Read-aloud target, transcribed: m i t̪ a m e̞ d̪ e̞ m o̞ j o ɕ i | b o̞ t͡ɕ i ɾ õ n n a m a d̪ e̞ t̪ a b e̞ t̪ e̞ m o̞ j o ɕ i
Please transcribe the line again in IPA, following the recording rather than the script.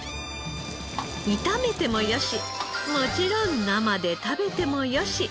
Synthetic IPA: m i t̪ a m e̞ t̪ e̞ m o̞ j o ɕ i | m o̞ t͡ɕ i ɾ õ n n a m a d̪ e̞ t̪ a b e̞ t̪ e̞ m o̞ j o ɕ i